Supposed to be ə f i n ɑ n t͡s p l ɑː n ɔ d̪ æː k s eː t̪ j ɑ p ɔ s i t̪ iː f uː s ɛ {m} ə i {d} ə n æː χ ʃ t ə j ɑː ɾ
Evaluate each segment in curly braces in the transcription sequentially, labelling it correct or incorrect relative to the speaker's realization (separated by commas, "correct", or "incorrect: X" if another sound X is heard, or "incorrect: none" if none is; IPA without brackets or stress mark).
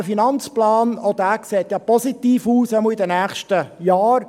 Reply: correct, correct